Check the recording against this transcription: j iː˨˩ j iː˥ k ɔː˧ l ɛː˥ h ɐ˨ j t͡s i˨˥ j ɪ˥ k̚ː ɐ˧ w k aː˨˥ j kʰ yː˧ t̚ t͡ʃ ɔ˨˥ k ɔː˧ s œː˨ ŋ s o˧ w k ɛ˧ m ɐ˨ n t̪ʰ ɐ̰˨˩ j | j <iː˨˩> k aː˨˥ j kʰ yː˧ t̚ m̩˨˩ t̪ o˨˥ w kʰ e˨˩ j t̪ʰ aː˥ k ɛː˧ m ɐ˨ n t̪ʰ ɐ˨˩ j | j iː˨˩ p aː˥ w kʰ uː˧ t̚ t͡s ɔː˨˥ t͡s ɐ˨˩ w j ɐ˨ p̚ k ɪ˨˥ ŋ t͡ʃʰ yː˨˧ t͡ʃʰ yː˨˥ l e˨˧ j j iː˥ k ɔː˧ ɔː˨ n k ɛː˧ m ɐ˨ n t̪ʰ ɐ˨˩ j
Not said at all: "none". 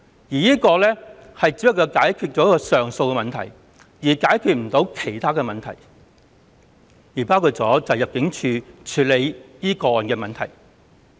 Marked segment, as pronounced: iː˨˩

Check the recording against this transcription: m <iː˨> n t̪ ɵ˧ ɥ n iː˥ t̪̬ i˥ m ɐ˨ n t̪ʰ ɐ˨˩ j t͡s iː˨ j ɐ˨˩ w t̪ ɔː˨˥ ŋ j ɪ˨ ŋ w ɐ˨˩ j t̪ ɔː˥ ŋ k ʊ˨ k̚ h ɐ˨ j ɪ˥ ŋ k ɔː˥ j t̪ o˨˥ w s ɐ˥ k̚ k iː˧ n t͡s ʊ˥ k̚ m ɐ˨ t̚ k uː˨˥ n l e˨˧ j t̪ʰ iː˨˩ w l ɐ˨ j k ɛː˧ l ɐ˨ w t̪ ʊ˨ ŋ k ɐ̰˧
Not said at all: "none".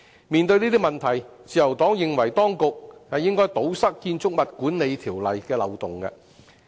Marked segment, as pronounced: iː˨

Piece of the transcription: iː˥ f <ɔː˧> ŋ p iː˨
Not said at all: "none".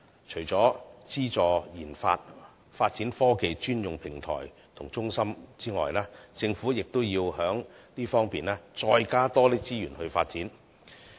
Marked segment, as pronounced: ɔː˥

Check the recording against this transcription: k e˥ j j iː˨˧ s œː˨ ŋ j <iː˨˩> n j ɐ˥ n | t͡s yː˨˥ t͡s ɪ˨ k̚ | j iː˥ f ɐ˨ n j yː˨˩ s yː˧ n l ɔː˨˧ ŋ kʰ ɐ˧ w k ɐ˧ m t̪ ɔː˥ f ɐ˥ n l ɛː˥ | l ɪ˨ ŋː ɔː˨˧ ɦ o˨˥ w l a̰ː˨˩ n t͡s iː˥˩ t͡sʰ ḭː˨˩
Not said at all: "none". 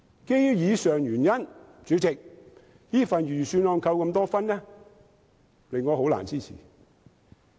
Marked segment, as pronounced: yː˨˩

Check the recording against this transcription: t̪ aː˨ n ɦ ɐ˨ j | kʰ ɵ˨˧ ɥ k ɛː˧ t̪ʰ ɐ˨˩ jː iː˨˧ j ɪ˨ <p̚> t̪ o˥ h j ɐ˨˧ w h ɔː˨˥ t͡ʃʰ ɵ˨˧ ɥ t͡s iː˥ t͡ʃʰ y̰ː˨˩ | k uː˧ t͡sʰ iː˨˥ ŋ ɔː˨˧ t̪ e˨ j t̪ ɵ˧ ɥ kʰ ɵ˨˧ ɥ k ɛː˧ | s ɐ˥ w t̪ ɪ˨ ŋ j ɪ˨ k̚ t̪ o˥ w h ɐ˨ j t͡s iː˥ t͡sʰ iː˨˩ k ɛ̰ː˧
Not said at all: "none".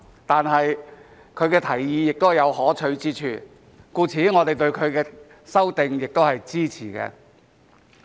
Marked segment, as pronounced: k̚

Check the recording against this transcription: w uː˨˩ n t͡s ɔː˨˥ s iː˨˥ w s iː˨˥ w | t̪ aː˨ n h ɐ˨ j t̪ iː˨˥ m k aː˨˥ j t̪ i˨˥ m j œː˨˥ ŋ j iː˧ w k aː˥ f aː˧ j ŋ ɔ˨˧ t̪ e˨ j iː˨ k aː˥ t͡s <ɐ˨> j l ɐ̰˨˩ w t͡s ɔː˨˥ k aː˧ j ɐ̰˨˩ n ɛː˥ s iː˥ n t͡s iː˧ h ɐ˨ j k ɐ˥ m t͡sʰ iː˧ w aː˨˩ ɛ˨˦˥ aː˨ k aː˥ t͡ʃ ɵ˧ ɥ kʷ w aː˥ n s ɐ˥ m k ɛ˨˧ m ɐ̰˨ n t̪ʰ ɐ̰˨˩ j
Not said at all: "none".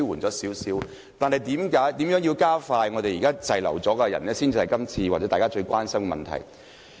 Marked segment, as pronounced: ɐ˨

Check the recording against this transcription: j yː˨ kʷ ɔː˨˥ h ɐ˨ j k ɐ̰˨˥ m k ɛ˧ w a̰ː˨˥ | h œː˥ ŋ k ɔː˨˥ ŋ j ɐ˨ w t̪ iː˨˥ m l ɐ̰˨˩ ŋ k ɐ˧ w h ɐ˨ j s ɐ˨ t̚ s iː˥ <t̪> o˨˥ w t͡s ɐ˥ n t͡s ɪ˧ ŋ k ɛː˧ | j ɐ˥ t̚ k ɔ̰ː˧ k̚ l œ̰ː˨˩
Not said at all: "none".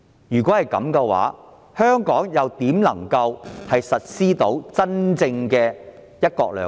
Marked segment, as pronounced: t̪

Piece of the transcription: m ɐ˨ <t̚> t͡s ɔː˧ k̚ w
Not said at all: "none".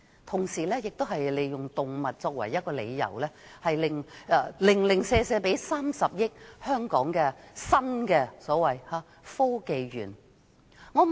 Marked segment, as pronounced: t̚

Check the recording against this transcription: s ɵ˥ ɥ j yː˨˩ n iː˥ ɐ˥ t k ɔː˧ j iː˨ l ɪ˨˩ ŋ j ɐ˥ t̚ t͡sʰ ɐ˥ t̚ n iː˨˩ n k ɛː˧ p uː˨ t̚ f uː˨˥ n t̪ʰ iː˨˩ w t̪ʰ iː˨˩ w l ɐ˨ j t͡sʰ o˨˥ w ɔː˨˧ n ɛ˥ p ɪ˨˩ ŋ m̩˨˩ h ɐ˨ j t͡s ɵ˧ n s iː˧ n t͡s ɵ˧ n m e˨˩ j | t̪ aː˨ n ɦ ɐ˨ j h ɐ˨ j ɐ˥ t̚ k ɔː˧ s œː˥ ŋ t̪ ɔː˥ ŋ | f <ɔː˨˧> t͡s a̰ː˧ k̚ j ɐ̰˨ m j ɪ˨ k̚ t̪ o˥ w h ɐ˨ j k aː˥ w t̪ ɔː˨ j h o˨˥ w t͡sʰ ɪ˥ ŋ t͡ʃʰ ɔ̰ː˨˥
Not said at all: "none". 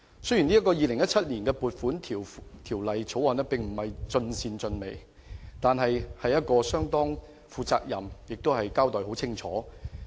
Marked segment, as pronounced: uː˨˧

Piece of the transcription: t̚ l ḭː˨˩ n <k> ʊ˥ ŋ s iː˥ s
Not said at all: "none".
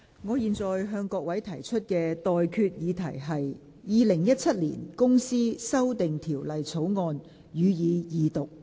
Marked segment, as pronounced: k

